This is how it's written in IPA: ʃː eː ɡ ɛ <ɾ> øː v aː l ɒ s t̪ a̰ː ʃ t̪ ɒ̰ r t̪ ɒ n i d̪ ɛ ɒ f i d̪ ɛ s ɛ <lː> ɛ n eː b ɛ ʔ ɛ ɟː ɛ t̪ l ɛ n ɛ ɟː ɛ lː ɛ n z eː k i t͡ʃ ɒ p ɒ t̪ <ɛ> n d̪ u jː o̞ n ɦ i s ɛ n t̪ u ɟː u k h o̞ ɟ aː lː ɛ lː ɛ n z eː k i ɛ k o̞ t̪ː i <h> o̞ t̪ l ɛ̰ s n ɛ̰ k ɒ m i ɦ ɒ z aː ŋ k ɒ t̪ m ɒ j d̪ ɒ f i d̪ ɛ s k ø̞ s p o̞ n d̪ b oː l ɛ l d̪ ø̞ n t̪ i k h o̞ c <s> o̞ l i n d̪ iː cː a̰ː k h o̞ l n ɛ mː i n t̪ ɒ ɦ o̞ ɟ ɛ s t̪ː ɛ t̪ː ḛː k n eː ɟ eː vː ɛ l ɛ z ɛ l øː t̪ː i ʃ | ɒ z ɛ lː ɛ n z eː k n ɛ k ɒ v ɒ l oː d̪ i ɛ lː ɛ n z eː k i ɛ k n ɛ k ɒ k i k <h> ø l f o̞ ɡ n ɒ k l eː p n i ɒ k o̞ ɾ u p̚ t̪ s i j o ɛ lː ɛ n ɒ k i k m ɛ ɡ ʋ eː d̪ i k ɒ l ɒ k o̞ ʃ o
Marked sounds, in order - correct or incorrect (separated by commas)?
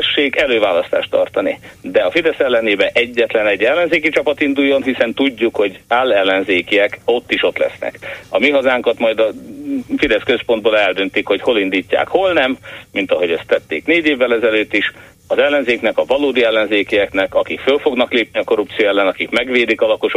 incorrect, correct, incorrect, incorrect, incorrect, incorrect